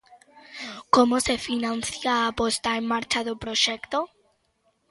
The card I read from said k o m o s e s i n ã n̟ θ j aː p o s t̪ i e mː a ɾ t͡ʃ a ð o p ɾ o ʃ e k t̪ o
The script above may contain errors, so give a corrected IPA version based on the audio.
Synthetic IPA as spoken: k o m o s e f i n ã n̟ θ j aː p o s t̪ a e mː a ɾ t͡ʃ a ð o p ɾ o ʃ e k t̪ o

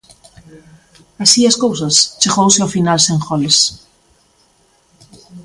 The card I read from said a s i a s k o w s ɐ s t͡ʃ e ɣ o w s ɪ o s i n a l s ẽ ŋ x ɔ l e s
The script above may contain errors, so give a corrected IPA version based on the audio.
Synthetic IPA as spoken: a s i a s k o w s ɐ s t͡ʃ e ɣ o w s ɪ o f i n a l s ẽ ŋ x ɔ l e s

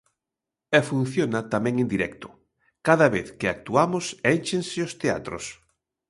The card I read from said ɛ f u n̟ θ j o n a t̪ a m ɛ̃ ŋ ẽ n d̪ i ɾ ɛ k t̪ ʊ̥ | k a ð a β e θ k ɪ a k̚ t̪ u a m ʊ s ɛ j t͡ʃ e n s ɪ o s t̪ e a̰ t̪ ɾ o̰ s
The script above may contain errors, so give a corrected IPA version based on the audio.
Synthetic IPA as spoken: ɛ f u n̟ θ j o n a t̪ a m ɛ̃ ŋ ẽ n d̪ i ɾ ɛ k t̪ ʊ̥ | k a ð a β e θ k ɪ a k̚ t̪ u a m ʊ s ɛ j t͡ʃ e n s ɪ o s t̪ e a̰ t̪ ɾ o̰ s

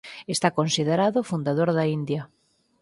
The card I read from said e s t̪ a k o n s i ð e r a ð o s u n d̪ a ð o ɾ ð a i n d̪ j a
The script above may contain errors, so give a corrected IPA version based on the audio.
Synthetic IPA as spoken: e s t̪ a k o n s i ð e ɾ a ð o f u n d̪ a ð o ɾ ð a i n d̪ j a

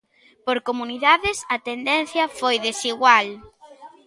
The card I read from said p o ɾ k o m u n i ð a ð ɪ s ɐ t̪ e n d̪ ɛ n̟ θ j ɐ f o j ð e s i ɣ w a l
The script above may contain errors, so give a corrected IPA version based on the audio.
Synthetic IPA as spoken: p o ɾ k o m u n i ð a ð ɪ s ɐ t̪ e n d̪ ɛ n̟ θ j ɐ f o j ð e s i ɣ w a l

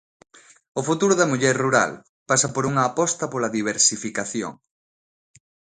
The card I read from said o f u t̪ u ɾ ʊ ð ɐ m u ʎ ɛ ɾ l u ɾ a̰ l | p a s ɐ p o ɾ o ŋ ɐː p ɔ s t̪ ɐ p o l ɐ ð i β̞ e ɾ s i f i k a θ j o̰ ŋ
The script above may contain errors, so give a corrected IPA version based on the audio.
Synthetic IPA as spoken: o f u t̪ u ɾ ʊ ð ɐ m u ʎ ɛ ɾ r u ɾ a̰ l | p a s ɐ p o ɾ u ŋ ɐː p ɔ s t̪ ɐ p o l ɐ ð i β̞ e ɾ s i f i k a θ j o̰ ŋ

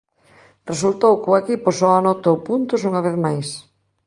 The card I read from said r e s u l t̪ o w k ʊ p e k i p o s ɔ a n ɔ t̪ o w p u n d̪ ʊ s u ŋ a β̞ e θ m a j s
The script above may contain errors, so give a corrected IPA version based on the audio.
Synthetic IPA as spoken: r e s u l t̪ o w k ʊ e k i p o s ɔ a n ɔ t̪ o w p u n t̪ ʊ s u ŋ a β̞ e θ m a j s

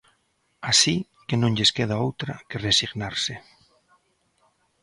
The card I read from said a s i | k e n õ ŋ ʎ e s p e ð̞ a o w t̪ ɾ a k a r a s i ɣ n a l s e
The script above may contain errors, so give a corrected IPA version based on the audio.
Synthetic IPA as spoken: a s i | k e n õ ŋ ʎ e s k e ð̞ a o w t̪ ɾ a k e r e s i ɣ n a ɾ s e

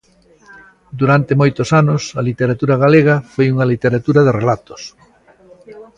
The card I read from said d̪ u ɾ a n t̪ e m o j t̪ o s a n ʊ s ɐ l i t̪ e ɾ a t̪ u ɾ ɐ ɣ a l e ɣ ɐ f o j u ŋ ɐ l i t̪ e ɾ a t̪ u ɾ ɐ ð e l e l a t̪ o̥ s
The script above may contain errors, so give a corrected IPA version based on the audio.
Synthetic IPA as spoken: d̪ u ɾ a n t̪ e m o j t̪ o s a n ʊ s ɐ l i t̪ e ɾ a t̪ u ɾ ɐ ɣ a l e ɣ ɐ f o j u ŋ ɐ l i t̪ e ɾ a t̪ u ɾ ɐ ð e r e l a t̪ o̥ s

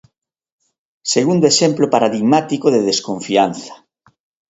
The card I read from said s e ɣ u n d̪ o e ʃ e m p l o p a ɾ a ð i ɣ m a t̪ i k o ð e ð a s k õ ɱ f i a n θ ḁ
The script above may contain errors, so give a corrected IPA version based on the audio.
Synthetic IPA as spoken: s e ɣ u n d̪ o e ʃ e m p l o p a ɾ a ð i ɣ m a t̪ i k o ð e ð e s k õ ɱ f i a n θ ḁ

